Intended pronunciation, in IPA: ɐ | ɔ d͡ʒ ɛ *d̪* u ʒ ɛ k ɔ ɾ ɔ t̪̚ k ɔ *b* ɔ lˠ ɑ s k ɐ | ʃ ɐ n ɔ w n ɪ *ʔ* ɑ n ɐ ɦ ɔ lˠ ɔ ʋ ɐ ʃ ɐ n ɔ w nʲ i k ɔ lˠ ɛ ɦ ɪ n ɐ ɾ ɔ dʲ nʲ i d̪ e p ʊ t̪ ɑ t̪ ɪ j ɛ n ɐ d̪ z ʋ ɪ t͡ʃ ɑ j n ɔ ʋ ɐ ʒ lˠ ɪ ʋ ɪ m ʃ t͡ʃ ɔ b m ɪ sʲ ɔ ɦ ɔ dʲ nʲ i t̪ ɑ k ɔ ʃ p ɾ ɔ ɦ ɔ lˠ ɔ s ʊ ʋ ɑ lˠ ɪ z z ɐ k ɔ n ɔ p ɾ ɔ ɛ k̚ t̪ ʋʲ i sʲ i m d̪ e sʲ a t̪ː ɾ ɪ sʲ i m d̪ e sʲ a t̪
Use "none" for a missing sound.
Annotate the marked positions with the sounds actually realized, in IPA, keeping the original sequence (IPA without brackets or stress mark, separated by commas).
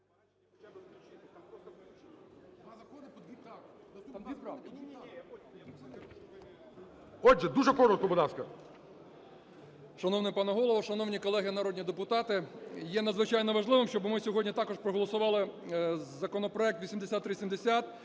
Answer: d̪, b, p